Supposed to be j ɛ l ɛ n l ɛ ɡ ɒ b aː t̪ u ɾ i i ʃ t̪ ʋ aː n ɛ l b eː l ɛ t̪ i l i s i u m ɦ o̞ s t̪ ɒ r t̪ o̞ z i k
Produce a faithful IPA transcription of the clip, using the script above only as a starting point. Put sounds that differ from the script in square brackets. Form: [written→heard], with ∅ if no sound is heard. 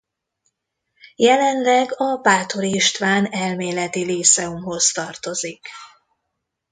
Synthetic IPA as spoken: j ɛ l ɛ n l ɛ ɡ ɒ b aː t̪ [u→o] ɾ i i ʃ t̪ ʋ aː n ɛ l [b→m] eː l ɛ t̪ i l i s [i→ɛ] u m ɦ o̞ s t̪ ɒ r t̪ o̞ z i k